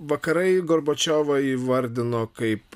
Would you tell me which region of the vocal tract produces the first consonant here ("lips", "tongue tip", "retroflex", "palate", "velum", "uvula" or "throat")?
lips